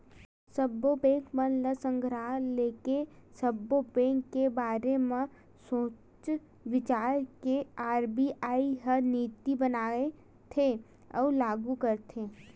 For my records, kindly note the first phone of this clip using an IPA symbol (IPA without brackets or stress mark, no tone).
s